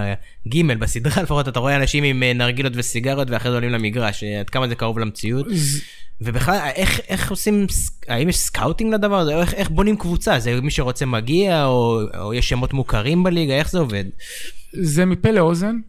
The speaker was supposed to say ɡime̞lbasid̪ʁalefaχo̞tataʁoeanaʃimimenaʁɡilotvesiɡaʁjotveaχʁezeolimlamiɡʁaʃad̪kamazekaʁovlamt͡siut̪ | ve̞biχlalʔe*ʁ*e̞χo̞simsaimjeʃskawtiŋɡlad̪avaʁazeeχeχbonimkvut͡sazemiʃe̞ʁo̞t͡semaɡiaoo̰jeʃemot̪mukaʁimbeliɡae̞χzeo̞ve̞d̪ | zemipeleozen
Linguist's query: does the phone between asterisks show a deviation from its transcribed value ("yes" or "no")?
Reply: yes